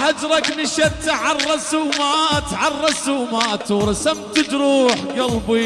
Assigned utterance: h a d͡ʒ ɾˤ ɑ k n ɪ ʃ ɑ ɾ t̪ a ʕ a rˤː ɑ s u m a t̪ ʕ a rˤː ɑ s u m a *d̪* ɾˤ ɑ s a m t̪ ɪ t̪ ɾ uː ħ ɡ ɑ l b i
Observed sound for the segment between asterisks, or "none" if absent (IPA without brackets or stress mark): t̪